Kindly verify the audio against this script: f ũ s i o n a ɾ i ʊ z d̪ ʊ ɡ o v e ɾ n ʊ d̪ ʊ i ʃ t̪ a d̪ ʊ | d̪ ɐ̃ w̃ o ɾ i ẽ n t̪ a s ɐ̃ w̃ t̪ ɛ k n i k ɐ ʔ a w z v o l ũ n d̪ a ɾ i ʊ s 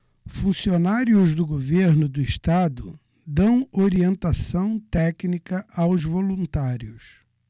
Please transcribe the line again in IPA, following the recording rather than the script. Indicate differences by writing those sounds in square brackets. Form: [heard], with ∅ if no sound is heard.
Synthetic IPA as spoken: f ũ s i o n a ɾ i ʊ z d̪ ʊ ɡ o v e ɾ n ʊ d̪ ʊ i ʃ t̪ a d̪ ʊ | d̪ ɐ̃ w̃ o ɾ i ẽ n t̪ a s ɐ̃ w̃ t̪ ɛ k n i k ɐ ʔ a w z v o l ũ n [t̪] a ɾ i ʊ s